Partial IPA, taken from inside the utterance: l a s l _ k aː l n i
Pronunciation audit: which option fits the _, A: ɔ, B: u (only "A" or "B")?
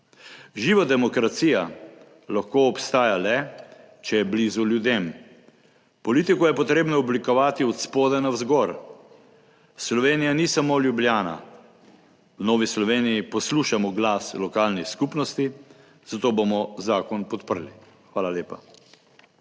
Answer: A